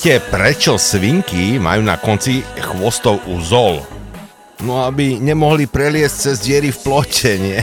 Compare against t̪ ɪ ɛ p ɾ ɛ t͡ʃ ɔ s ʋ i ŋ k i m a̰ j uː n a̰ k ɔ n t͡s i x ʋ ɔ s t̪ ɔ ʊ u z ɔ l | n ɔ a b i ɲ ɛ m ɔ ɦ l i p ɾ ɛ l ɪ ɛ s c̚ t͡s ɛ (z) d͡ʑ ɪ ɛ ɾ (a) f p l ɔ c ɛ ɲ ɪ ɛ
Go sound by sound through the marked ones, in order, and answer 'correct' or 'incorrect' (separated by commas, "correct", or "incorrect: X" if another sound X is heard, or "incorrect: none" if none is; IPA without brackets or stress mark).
correct, incorrect: i